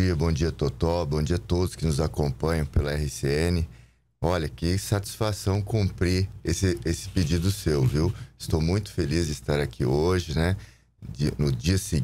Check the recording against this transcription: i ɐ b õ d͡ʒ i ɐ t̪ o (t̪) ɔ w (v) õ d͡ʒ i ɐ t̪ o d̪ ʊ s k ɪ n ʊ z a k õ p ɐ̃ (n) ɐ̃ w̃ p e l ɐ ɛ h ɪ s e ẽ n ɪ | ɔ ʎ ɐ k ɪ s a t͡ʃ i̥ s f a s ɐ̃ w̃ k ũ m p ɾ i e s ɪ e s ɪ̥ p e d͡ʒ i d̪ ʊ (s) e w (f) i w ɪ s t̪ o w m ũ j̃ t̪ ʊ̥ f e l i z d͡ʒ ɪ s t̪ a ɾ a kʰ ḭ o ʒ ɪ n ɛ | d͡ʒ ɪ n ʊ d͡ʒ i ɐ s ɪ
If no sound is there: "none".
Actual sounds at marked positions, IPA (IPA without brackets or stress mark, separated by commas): t̪, b, ɲ, s, v